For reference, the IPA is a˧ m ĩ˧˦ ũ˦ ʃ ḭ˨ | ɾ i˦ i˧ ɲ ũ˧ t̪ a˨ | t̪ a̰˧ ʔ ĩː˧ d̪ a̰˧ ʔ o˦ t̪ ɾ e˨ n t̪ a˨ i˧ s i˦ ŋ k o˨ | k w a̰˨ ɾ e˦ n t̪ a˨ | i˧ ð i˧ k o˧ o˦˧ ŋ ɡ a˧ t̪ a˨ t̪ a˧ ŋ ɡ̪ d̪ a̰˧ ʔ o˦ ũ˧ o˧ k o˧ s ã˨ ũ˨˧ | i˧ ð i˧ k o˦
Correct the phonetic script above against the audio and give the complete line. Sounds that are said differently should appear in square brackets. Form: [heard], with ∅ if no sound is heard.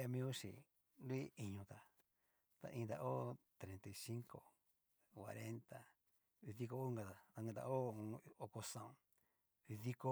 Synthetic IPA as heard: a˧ m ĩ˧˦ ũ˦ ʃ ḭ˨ | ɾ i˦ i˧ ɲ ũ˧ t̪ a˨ | t̪ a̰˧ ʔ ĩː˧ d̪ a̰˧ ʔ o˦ t̪ ɾ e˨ n t̪ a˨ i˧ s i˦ ŋ k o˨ | k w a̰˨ ɾ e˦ n t̪ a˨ | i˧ ð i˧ k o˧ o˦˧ ŋ ɡ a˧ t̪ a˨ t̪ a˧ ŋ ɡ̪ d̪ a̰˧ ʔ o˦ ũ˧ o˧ k o˧ s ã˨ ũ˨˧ | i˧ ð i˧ k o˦

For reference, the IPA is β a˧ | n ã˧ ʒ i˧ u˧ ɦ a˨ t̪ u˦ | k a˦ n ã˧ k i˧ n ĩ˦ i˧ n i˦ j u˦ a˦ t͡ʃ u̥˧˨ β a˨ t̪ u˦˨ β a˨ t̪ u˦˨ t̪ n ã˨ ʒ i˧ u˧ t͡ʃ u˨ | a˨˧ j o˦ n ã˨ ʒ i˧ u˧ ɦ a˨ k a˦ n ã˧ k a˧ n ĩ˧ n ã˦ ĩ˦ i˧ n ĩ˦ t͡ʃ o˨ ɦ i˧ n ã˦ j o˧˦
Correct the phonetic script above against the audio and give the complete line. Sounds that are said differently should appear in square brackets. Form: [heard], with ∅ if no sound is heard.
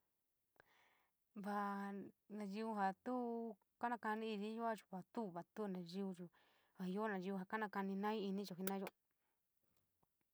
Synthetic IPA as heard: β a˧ | n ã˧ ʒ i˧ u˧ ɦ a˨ t̪ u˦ | k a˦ n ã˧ k [a˧] n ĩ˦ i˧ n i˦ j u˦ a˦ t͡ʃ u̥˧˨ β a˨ t̪ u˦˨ β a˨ t̪ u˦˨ [∅] n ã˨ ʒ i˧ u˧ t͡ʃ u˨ | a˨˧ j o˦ n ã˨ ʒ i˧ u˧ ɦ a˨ k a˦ n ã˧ k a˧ n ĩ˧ n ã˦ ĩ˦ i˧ n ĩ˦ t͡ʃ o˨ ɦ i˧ n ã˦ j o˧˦

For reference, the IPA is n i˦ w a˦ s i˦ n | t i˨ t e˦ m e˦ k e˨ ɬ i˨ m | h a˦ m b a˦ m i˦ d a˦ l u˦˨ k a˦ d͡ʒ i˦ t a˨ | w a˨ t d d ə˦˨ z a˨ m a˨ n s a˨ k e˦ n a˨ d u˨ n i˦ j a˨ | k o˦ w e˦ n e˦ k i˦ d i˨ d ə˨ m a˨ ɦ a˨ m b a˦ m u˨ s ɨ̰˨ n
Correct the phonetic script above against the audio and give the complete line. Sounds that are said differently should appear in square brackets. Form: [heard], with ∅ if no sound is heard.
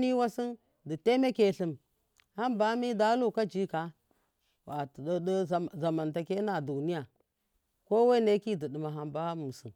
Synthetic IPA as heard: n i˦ w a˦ s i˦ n | [d] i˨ t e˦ m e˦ k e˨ ɬ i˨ m | h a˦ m b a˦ m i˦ d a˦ l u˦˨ k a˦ d͡ʒ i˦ [k] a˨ | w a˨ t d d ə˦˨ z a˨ m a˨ n [t] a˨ k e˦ n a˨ d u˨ n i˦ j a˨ | k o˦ w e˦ n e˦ k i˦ d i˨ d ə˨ m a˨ ɦ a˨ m b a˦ m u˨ s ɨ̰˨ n

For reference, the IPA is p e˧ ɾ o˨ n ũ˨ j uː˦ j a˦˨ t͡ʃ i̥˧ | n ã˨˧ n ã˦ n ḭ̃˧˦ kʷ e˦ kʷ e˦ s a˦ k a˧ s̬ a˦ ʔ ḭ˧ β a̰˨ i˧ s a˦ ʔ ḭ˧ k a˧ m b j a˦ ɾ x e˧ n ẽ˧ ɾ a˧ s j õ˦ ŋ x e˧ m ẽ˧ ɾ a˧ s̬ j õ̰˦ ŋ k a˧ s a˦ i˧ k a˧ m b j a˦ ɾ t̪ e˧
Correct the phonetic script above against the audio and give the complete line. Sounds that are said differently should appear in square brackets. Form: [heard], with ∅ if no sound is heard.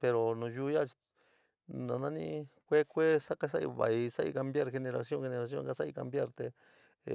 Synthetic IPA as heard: p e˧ ɾ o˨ n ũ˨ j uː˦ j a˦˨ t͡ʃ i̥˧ | n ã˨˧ n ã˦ n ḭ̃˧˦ kʷ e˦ kʷ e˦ s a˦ k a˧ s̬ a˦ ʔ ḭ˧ β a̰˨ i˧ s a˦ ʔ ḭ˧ k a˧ m b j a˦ ɾ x e˧ n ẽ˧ ɾ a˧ s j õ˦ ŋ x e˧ [n] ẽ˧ ɾ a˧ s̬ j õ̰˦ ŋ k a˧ s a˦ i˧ k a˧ m b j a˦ ɾ t̪ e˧

